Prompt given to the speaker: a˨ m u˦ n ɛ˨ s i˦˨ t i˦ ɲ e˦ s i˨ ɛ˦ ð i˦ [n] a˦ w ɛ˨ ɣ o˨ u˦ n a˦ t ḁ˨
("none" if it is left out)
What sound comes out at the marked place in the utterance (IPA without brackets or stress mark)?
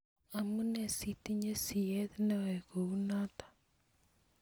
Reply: n